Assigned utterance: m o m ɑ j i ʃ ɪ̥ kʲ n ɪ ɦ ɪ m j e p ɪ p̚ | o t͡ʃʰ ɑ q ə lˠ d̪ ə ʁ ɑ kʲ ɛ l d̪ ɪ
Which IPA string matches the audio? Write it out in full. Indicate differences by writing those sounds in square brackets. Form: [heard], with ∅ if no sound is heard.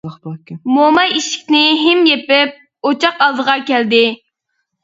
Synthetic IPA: m o m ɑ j i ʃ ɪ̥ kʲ n ɪ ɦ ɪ m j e p ɪ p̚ | o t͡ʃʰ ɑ q [ɑ] lˠ d̪ ə ʁ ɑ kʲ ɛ l d̪ ɪ